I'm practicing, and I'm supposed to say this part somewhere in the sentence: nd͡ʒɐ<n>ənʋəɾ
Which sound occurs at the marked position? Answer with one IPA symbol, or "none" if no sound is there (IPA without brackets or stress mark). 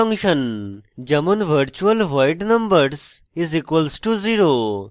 m